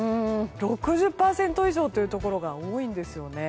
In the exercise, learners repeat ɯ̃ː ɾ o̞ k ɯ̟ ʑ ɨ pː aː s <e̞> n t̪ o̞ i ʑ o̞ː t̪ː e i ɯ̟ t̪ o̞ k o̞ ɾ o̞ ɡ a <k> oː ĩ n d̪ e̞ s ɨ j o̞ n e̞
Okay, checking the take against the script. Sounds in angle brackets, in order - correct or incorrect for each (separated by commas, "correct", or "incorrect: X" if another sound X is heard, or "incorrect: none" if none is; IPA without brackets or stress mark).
incorrect: ẽ̞, incorrect: none